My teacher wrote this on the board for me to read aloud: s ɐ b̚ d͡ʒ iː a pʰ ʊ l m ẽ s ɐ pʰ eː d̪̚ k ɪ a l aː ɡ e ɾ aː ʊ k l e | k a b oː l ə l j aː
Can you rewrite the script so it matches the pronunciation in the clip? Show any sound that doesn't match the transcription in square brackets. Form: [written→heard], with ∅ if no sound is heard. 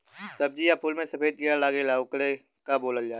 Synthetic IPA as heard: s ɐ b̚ d͡ʒ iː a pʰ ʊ l m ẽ s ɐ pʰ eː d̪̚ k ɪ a l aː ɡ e [ɾ→l] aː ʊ k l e | k a b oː l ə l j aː